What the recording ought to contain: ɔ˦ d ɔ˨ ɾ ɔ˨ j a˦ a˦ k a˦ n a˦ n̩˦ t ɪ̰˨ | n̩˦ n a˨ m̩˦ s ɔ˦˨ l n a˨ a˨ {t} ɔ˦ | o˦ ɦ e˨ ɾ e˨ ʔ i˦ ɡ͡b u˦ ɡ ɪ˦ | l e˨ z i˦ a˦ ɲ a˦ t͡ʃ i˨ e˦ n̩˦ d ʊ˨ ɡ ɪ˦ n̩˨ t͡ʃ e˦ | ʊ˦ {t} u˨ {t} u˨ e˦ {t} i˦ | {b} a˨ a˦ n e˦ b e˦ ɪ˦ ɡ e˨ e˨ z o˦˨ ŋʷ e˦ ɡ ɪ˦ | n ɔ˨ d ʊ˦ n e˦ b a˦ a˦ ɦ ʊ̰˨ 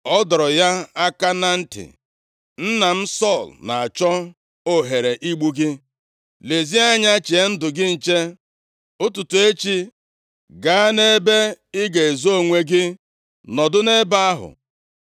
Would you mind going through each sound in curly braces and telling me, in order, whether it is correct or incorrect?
incorrect: t͡ʃ, correct, correct, incorrect: t͡ʃ, incorrect: ɡ

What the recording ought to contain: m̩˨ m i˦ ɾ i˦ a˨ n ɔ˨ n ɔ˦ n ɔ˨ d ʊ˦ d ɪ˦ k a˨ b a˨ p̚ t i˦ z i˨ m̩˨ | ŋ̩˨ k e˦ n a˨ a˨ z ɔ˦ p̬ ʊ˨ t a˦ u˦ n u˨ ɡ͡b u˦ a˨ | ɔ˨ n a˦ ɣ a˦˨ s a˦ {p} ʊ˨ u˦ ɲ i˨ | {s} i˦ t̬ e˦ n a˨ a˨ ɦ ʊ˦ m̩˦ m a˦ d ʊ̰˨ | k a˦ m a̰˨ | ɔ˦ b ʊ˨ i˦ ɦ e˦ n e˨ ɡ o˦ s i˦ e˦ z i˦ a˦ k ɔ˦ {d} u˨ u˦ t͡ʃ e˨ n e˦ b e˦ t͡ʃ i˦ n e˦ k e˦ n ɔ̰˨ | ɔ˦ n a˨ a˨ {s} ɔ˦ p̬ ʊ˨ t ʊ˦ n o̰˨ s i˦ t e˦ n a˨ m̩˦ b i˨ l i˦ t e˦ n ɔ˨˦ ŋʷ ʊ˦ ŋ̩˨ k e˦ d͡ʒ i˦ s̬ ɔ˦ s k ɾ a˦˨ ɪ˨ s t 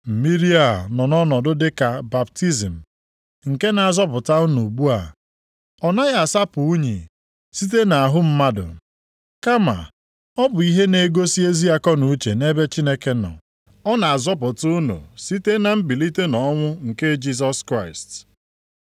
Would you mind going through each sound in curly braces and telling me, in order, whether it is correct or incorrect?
correct, correct, incorrect: n, incorrect: z

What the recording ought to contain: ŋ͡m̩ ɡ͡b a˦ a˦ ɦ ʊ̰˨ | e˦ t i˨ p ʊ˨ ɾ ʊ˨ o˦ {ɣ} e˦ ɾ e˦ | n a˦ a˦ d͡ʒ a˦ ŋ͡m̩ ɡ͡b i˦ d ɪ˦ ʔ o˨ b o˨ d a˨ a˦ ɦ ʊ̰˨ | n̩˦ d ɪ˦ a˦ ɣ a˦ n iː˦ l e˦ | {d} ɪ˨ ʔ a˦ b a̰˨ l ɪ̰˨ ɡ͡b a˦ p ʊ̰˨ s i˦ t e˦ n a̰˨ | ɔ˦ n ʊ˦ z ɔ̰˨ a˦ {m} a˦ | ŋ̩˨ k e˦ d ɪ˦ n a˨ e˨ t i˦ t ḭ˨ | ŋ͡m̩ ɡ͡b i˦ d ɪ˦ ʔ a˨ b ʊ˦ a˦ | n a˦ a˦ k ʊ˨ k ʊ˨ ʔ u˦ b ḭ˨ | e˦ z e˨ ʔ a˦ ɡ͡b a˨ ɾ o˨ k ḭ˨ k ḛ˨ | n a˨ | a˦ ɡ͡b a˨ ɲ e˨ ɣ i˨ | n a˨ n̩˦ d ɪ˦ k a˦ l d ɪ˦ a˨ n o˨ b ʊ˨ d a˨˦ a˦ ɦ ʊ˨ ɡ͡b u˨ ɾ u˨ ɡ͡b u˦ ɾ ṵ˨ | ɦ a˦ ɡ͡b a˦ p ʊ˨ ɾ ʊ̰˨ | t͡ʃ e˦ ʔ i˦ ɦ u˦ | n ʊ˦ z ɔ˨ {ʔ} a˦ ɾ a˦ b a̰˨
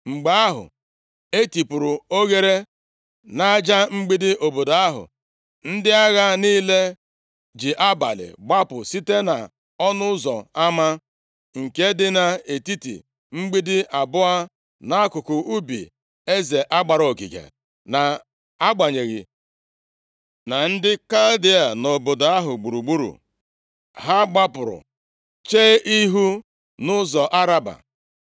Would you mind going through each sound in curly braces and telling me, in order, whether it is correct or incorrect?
correct, incorrect: d͡ʒ, correct, correct

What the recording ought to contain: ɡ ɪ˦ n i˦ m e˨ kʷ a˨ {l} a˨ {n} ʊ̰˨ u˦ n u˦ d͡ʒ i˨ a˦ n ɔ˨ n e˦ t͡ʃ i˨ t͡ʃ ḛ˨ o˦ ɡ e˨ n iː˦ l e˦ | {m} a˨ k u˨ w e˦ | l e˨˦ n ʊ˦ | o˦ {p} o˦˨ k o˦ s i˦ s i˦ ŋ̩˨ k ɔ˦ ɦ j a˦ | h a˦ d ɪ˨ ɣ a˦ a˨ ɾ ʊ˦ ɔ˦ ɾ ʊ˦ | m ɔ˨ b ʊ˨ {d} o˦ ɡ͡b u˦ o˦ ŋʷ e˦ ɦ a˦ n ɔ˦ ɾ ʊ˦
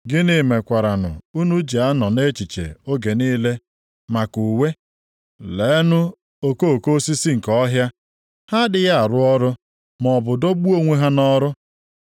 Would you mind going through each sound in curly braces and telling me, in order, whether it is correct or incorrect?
incorrect: ɾ, correct, correct, incorrect: k, correct

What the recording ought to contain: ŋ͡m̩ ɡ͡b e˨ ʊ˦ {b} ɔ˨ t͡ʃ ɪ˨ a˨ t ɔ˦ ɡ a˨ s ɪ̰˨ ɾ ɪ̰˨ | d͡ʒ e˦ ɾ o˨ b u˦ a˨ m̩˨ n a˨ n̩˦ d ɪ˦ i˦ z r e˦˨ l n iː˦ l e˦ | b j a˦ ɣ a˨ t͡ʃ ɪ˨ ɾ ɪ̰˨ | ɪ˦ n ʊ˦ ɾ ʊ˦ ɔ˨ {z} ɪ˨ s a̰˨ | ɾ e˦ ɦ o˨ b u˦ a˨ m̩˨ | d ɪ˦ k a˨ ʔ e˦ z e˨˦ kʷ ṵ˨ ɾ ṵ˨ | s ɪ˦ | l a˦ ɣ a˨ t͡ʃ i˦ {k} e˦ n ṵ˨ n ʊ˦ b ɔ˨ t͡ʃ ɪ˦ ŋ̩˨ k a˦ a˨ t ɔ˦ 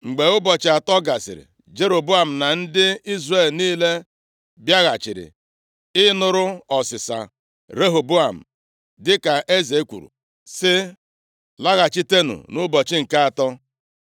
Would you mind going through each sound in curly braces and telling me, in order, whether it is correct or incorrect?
correct, incorrect: s, incorrect: t

